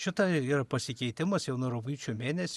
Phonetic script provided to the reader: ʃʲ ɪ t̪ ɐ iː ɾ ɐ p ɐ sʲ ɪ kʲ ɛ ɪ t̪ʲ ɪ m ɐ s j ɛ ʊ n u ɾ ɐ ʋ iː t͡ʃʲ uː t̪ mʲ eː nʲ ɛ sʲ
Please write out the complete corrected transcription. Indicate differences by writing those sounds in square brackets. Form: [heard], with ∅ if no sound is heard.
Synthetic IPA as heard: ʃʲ ɪ t̪ ɐ iː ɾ ɐ p ɐ sʲ ɪ kʲ ɛ ɪ t̪ʲ ɪ m ɐ s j ɛ ʊ n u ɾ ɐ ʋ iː t͡ʃʲ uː [∅] mʲ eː nʲ ɛ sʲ